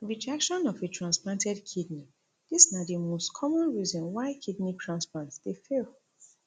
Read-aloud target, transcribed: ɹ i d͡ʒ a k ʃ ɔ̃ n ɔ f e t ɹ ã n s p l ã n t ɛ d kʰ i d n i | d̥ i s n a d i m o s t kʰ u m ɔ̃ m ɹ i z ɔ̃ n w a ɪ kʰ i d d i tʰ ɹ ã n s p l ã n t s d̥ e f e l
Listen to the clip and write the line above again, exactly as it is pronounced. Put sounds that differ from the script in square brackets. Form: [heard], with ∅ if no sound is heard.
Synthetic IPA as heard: ɹ i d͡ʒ a k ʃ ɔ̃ n ɔ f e t ɹ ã n s p l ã n t ɛ d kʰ i d n i | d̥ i s n a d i m o s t kʰ [ɔ] m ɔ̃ [n] ɹ i z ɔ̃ n w a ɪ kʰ i d [n] i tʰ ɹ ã n s p l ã n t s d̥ e f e l